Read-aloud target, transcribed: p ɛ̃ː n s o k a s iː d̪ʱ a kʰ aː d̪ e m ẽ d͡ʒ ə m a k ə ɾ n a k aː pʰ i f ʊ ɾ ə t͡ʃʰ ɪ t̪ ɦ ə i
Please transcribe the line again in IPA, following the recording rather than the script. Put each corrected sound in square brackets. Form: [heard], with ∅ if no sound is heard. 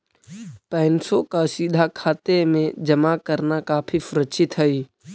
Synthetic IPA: p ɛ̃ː n s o k a s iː d̪ʱ a kʰ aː [t̪] e m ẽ d͡ʒ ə m a k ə ɾ n a k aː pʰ i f ʊ ɾ ə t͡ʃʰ ɪ t̪ ɦ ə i